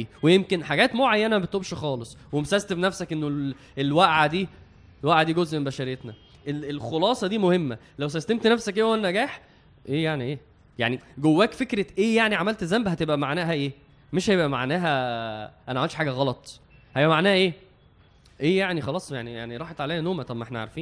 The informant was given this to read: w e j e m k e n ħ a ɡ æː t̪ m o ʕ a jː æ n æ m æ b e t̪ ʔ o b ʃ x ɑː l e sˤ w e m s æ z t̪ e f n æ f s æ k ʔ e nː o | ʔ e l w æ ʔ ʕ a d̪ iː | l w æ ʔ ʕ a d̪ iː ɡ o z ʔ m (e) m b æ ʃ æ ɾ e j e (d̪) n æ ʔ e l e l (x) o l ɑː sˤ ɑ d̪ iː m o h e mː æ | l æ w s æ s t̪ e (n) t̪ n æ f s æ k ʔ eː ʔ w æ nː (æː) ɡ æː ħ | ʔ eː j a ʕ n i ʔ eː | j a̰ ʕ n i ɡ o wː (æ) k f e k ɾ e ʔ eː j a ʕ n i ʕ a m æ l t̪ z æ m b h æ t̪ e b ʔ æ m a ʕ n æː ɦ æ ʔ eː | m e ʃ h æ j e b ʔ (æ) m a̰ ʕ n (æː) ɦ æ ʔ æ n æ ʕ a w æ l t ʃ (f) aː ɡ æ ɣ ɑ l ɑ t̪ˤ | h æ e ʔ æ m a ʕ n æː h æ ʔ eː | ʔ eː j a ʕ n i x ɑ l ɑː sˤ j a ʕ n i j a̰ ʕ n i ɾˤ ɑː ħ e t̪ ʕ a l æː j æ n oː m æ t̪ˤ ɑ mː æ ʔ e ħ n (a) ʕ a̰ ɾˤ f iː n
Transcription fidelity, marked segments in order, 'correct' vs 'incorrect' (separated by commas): correct, incorrect, correct, incorrect, incorrect, incorrect, correct, correct, incorrect, incorrect